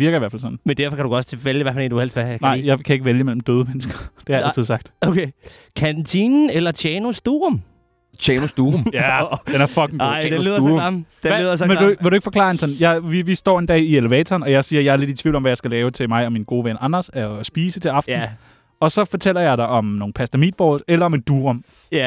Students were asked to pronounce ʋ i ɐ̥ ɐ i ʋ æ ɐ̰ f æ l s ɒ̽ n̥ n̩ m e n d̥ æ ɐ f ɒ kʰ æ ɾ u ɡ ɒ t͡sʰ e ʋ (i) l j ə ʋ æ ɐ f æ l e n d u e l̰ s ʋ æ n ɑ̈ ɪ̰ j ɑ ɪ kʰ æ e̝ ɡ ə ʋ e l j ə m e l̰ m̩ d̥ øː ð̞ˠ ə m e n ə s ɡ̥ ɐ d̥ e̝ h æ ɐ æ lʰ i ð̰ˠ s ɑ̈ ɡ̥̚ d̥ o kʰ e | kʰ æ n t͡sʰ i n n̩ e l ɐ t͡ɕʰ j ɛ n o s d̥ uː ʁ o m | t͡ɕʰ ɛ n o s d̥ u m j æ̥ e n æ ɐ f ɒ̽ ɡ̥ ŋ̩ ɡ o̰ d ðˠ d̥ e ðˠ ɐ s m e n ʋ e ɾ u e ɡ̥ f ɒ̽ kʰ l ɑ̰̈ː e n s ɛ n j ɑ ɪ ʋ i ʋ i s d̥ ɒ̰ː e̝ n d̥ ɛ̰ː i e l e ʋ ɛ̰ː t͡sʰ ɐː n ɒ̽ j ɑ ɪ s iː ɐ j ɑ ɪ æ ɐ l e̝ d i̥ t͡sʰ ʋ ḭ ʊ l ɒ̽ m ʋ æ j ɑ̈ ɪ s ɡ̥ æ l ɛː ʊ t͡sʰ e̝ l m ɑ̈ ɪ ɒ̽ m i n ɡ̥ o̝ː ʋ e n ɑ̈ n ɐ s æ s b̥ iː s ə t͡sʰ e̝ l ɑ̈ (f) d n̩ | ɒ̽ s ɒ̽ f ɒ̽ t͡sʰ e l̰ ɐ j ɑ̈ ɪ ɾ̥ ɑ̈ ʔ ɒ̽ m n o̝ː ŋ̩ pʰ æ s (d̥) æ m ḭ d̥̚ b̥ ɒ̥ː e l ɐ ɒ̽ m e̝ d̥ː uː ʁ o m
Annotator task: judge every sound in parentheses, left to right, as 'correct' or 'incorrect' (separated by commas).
incorrect, correct, correct